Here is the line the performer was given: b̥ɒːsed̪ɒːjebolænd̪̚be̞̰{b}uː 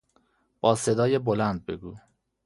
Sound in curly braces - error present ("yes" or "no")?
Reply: yes